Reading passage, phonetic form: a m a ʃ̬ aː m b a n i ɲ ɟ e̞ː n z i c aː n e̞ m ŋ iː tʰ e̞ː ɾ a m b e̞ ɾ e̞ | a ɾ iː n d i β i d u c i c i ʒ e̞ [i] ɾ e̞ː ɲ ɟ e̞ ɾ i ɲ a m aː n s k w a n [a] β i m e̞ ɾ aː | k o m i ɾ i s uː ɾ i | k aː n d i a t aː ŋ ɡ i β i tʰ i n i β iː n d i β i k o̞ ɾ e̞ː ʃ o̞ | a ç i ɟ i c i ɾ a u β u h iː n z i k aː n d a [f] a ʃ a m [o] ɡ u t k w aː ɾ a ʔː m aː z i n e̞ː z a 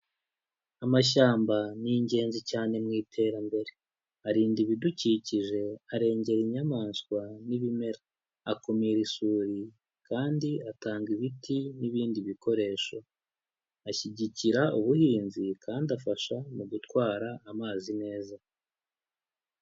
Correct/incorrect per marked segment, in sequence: incorrect, incorrect, correct, incorrect

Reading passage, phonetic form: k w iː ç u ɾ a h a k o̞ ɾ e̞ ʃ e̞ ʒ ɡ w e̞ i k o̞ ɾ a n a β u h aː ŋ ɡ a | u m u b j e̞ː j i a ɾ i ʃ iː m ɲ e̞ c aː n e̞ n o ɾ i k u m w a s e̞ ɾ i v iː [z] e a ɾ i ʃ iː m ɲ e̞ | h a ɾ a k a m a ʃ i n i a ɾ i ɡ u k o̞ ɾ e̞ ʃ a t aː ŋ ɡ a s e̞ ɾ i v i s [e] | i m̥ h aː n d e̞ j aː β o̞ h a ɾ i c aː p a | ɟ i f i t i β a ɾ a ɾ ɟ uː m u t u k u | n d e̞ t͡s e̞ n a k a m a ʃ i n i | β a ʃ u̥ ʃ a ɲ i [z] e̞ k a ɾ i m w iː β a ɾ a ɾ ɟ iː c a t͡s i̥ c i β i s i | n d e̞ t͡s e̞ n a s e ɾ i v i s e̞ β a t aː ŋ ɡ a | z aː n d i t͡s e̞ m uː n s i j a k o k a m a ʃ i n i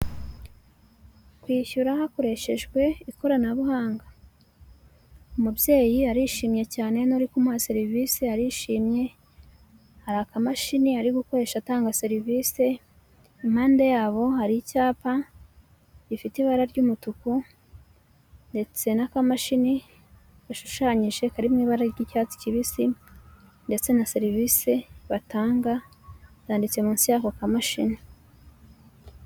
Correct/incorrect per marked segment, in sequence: incorrect, correct, incorrect

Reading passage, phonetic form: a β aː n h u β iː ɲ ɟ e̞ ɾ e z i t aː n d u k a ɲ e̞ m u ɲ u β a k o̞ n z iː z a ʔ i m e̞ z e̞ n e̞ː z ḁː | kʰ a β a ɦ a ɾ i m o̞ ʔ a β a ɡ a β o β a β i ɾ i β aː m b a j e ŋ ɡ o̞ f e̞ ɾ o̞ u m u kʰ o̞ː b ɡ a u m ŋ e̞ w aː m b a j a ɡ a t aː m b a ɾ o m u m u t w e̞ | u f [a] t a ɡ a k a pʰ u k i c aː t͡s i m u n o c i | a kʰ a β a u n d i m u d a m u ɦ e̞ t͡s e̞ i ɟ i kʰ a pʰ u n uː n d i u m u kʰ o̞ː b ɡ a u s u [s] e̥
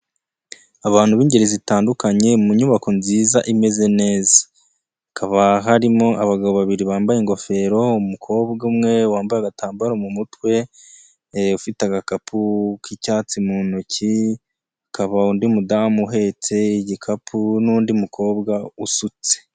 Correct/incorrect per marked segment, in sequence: incorrect, incorrect

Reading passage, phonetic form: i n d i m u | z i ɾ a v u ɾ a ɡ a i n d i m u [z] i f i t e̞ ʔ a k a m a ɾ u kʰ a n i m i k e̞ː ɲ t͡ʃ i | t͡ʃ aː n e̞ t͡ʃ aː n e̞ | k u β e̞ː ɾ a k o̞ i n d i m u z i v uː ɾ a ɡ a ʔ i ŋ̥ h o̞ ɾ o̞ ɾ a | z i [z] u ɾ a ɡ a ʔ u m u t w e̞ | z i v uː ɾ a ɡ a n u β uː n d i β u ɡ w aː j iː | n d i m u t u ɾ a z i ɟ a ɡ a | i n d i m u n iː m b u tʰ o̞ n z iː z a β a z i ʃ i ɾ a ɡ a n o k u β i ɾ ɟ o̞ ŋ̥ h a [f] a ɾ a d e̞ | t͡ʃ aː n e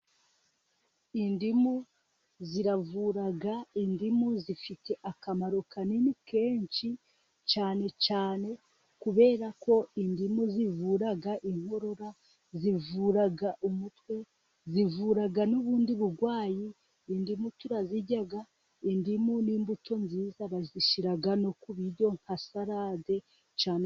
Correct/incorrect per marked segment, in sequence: correct, incorrect, incorrect

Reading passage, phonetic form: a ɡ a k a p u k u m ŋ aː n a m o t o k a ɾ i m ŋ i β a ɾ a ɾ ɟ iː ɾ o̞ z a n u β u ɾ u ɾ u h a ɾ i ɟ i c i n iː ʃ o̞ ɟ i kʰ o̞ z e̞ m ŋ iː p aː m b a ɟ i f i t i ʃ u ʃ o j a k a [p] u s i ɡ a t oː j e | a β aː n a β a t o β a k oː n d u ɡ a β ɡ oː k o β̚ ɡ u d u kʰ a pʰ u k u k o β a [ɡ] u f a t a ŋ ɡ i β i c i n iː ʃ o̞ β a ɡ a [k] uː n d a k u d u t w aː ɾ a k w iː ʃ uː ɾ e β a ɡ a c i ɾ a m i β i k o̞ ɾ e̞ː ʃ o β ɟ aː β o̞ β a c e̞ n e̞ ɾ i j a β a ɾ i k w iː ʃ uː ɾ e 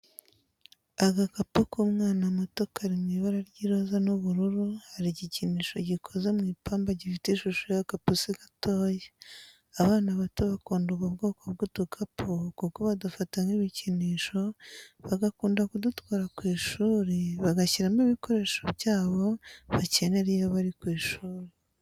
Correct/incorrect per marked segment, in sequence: correct, incorrect, correct

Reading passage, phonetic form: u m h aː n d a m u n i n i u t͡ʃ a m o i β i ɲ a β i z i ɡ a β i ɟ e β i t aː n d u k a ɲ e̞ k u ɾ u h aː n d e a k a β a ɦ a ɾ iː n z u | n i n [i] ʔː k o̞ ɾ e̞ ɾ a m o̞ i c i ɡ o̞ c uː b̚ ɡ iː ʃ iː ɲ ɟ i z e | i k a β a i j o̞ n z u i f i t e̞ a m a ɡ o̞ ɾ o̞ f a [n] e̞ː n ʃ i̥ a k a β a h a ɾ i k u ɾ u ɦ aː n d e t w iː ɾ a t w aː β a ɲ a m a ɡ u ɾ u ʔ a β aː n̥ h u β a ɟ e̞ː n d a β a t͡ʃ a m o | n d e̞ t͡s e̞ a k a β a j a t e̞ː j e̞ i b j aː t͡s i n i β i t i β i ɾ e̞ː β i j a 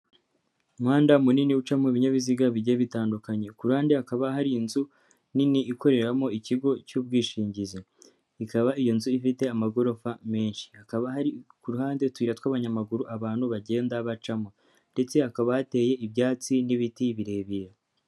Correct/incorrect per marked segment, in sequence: correct, incorrect

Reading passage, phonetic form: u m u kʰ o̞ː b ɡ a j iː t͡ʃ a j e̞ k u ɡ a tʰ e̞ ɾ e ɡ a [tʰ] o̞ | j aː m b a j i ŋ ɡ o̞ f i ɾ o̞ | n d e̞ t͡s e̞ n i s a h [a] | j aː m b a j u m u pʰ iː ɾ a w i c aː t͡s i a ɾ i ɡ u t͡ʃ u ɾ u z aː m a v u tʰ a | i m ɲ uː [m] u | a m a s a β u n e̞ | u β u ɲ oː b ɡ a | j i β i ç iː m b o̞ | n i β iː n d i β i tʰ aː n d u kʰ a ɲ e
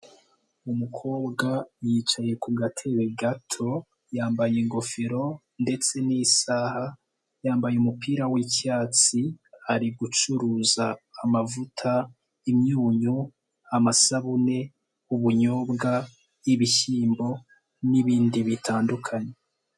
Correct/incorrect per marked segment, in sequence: correct, correct, incorrect

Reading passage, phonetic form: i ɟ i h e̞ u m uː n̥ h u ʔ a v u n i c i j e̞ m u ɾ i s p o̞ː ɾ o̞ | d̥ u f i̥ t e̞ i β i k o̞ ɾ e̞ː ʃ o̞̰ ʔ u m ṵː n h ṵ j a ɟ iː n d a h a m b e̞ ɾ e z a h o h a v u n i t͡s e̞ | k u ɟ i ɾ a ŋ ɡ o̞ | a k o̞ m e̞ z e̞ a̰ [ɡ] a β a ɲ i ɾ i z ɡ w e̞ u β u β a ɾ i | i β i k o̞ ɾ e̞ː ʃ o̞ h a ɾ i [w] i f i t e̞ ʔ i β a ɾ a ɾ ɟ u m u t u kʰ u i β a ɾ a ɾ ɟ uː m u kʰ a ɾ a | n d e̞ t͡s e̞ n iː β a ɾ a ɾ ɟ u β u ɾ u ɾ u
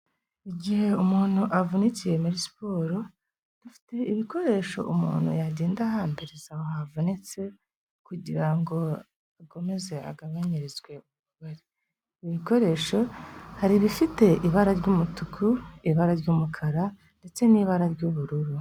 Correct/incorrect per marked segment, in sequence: correct, incorrect

